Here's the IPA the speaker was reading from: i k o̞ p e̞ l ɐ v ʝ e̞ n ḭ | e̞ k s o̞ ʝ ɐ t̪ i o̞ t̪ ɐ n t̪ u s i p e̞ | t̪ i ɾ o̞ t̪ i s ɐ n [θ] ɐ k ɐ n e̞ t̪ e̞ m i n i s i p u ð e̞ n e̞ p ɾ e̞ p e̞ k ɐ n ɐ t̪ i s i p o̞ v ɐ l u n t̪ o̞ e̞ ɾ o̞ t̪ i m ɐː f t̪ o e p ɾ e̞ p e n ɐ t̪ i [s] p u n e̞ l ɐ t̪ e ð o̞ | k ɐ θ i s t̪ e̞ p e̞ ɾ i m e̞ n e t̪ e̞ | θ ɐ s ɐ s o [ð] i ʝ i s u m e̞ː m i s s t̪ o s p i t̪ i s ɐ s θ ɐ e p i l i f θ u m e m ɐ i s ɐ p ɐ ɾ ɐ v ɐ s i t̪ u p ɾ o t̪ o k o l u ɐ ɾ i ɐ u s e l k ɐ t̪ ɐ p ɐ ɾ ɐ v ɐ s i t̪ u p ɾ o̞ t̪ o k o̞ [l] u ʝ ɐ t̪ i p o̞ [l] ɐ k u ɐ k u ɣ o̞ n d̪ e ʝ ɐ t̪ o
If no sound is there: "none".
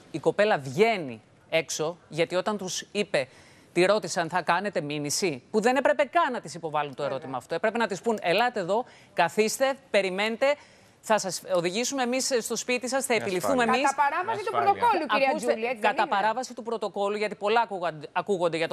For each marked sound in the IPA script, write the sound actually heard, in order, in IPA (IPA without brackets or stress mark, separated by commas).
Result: θ, s, ð, l, l